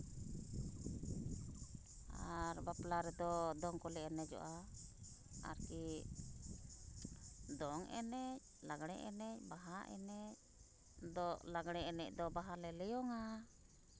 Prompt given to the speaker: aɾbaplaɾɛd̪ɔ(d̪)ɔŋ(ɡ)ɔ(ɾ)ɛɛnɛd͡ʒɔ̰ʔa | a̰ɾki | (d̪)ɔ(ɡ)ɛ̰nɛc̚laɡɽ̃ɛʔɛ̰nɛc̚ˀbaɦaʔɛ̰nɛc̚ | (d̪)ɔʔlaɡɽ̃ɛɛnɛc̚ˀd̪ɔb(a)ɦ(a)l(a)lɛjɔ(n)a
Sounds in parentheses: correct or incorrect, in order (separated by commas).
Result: correct, incorrect, incorrect, correct, incorrect, correct, correct, correct, incorrect, incorrect